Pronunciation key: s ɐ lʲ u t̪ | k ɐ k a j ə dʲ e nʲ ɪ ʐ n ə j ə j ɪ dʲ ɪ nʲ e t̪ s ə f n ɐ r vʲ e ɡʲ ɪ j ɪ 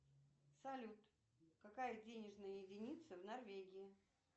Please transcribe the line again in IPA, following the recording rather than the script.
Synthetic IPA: s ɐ lʲ u t̪ | k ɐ k a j ə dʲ e nʲ ɪ ʐ n ə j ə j ɪ dʲ ɪ nʲ i t̪ s ə v n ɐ r vʲ e ɡʲ ɪ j ɪ